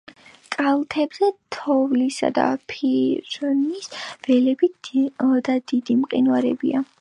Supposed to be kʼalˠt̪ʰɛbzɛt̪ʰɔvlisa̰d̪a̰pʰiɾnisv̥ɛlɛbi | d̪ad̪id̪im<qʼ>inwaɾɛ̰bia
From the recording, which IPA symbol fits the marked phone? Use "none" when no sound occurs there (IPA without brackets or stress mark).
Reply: qʼ